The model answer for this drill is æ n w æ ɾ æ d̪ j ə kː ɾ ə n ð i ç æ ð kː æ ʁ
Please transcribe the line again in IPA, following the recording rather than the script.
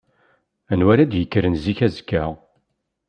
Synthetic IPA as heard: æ n w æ ɾ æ d̪ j ə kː ɾ ə n z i ç æ z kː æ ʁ